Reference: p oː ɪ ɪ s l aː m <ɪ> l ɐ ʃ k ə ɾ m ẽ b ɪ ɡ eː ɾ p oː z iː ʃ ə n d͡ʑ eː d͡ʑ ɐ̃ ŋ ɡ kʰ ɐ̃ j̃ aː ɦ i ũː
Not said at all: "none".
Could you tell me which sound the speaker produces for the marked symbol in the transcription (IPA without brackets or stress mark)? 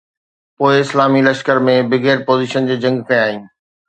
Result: i